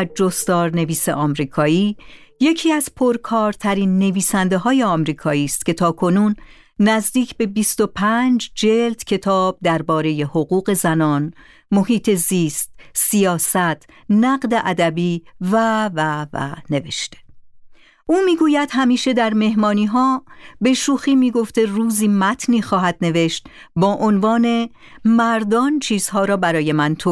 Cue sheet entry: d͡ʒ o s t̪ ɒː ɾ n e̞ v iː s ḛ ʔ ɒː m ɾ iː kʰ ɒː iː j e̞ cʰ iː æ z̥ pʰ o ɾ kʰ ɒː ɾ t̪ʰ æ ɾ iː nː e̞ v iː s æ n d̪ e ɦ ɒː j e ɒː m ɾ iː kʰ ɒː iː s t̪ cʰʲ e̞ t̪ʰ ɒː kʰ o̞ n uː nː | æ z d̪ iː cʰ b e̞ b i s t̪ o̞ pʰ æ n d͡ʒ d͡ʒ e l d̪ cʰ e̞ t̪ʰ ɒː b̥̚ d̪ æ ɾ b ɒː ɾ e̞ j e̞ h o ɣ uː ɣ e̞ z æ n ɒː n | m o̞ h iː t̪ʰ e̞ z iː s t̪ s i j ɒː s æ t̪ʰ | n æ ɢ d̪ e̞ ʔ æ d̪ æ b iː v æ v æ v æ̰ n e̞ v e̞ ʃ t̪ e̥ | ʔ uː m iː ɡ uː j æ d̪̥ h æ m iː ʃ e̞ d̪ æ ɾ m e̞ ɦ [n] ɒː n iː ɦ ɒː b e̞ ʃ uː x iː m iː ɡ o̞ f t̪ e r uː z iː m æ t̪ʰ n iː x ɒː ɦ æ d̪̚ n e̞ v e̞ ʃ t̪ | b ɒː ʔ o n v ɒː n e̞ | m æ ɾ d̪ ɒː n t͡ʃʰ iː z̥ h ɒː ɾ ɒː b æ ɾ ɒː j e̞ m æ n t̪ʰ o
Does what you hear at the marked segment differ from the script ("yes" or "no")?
yes